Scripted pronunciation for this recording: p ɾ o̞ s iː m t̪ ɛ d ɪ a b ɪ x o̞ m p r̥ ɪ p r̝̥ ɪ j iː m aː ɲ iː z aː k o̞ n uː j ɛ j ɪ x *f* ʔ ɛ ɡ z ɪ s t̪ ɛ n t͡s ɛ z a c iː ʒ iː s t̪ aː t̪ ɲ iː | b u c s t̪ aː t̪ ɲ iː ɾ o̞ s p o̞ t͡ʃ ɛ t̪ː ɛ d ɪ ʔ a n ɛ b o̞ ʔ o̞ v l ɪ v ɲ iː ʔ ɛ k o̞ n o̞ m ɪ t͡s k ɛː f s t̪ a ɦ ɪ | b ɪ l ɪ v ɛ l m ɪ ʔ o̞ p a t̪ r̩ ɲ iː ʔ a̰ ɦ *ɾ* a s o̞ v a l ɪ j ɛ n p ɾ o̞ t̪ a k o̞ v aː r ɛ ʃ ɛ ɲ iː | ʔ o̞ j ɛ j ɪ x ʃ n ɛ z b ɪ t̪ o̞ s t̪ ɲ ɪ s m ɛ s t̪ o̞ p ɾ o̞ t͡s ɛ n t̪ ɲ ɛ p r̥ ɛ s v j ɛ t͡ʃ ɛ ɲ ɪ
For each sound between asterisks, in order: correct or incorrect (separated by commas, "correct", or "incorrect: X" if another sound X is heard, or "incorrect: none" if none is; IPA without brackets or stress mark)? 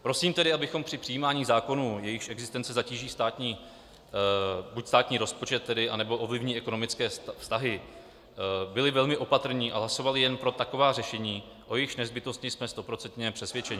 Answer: incorrect: ʃ, incorrect: l